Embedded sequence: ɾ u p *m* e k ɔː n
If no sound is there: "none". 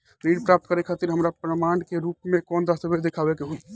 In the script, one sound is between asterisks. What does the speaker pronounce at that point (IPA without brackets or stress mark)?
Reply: m